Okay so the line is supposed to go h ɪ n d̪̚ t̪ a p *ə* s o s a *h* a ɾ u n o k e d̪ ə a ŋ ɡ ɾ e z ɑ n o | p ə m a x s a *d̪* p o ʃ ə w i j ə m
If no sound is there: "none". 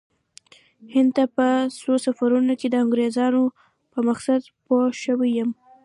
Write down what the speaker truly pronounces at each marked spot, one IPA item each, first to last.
ə, f, d̪

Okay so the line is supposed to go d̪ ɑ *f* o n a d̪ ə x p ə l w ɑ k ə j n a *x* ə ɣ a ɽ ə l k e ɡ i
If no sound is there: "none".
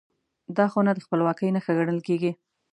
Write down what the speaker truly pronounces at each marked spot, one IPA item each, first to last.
x, x

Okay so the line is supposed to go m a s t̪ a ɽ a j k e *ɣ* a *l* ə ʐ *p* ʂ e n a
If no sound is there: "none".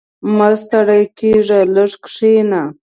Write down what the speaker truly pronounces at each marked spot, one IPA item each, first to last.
ʐ, l, k

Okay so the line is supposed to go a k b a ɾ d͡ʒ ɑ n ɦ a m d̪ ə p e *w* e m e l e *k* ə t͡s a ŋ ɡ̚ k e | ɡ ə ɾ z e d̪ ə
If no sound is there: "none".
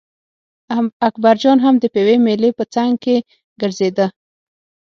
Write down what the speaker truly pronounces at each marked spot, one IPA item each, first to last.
w, p

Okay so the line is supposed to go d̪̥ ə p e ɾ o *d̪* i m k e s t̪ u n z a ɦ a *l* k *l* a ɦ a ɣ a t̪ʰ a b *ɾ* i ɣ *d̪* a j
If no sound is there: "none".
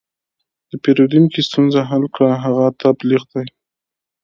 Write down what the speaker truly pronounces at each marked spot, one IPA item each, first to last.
d̪, l, ɽ, l, d̪

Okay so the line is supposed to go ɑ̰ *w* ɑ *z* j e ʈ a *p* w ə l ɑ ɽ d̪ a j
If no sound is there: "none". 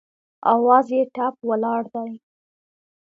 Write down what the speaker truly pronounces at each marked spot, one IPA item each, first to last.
w, z, p

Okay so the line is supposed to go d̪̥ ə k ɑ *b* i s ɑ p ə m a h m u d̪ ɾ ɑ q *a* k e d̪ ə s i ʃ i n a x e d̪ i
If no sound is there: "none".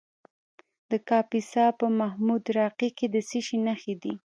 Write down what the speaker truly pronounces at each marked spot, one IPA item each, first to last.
p, i

